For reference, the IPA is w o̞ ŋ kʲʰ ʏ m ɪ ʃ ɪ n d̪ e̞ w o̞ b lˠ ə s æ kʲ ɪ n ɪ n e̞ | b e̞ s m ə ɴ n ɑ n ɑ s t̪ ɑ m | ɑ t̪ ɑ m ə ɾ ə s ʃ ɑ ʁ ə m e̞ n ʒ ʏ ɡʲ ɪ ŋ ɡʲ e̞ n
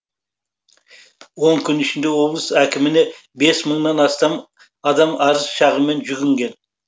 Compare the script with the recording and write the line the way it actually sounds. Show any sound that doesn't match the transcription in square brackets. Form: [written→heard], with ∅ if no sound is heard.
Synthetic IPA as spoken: w o̞ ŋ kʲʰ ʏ [m→n] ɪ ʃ ɪ n d̪ e̞ w o̞ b lˠ ə s æ kʲ ɪ [n→m] ɪ n e̞ | b e̞ s m ə ɴ n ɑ n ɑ s t̪ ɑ m | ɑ [t̪→d̪] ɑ m [ə→ɑ] ɾ ə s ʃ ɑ ʁ ə m e̞ n ʒ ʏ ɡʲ ɪ ŋ ɡʲ e̞ n